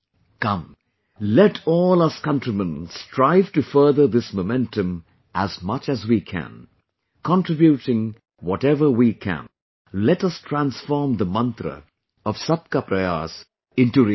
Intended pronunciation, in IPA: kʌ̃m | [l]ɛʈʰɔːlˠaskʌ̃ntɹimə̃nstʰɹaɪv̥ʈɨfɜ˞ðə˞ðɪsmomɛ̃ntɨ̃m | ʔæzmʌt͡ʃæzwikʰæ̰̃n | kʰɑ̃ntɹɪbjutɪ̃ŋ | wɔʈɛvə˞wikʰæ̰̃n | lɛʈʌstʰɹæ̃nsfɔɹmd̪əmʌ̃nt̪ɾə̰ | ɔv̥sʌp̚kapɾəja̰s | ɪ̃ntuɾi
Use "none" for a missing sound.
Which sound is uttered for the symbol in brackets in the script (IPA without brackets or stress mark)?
l